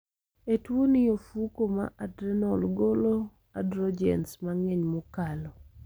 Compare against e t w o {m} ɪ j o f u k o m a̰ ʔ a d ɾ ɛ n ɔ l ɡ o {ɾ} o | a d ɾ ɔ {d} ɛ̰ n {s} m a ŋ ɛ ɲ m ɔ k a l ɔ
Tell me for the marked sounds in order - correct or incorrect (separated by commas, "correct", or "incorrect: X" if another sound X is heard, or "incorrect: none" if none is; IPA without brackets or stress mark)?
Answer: incorrect: n, incorrect: l, incorrect: d͡ʒ, correct